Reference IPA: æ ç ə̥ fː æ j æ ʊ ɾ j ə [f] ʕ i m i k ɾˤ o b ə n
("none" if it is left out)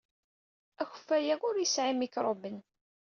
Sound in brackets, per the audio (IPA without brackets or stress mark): s